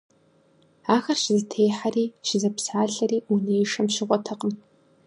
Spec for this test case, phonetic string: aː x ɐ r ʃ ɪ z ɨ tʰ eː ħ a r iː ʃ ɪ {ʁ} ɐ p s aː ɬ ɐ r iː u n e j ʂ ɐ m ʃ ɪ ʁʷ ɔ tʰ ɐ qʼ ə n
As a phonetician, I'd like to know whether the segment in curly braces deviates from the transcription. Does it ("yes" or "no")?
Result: yes